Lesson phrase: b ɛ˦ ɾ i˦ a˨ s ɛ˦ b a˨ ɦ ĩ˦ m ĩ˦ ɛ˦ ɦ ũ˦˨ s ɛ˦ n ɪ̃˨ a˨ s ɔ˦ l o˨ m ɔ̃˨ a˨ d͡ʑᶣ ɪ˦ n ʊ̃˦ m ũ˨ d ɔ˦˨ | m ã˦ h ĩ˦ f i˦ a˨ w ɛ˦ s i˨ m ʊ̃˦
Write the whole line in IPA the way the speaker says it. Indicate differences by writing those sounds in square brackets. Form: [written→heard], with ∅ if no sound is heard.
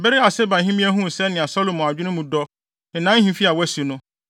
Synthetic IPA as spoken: b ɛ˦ ɾ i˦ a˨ s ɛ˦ b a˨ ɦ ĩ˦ m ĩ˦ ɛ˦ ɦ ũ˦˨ s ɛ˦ n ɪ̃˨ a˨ s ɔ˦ l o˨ m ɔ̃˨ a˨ d͡ʑᶣ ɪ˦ n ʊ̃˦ m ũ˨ d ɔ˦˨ | [m→n] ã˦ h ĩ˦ f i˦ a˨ w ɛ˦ s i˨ [m→n] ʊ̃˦